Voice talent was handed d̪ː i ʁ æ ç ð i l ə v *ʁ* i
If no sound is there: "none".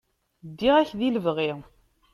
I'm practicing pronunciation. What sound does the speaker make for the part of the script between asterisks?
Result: ʁ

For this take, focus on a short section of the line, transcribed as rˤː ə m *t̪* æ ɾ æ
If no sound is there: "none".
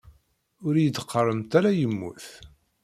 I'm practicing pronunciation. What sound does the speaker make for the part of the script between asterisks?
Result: t̪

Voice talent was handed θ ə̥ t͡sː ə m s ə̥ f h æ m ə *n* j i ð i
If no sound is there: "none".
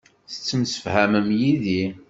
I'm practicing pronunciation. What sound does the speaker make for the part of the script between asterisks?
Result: m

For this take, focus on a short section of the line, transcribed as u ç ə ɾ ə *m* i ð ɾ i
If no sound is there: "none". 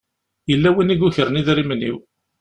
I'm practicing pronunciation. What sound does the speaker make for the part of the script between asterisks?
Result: n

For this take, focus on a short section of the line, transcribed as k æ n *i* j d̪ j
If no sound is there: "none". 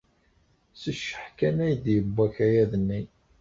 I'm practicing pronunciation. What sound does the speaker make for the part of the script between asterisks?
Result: æ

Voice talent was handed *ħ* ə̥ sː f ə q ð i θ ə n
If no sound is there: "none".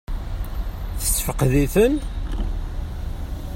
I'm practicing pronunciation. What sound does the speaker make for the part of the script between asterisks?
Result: θ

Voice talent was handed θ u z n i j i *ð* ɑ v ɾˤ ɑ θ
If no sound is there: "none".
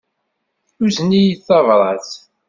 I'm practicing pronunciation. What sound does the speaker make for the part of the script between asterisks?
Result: θ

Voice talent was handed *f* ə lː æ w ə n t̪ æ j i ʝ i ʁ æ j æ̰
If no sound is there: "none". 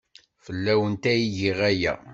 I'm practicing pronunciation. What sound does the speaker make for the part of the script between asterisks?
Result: f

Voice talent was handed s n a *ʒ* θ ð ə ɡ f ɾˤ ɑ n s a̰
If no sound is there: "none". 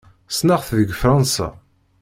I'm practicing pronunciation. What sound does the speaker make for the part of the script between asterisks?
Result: ʁ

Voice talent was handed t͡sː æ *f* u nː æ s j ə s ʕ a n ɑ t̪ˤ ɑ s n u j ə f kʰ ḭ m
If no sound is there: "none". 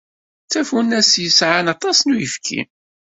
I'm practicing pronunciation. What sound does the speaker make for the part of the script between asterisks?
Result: f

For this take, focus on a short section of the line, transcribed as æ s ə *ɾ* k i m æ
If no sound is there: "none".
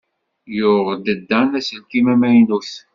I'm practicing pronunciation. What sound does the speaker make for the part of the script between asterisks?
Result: l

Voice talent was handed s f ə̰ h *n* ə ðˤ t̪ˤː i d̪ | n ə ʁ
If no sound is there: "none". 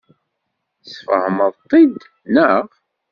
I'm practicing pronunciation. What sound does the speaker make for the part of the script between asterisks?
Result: m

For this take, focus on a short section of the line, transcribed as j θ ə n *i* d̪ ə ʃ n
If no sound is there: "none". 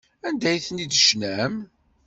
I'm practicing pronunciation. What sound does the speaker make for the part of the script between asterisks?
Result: i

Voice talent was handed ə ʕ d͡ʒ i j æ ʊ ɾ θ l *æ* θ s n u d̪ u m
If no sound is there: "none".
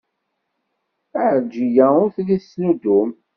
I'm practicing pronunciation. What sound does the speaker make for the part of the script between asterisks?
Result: i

